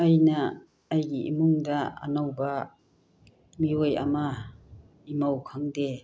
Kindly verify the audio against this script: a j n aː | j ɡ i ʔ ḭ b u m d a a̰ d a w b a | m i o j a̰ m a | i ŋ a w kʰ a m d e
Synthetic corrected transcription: a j n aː | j ɡ i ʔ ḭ m u ŋ d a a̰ n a w b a | m i o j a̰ m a | i m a w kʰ a ŋ d e